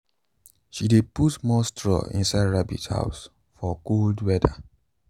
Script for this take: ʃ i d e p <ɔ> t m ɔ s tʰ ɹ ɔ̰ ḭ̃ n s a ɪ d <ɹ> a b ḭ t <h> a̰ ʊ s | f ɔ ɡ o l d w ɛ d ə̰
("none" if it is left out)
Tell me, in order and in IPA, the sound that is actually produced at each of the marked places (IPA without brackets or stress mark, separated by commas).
u, ɹ, h